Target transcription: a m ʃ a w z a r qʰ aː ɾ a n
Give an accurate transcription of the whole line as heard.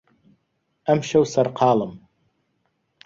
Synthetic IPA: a m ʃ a w s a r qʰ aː l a m